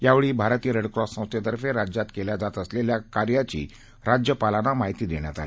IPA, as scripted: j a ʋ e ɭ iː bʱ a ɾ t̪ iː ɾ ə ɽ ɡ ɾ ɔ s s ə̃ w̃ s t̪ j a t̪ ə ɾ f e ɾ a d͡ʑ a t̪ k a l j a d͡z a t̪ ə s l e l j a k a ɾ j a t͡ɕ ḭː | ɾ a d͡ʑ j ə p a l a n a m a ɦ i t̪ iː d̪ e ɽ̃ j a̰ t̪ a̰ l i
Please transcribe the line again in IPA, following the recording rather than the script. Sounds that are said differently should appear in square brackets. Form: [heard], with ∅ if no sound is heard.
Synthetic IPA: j a ʋ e ɭ iː bʱ a ɾ t̪ iː ɾ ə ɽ [k] ɾ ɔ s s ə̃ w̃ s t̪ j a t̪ ə ɾ f e ɾ a d͡ʑ a t̪ k [e] l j a d͡z a t̪ ə s l e l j a k a ɾ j a t͡ɕ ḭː | ɾ a d͡ʑ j ə p a l a n a m a ɦ i t̪ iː d̪ e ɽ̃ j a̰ t̪ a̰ l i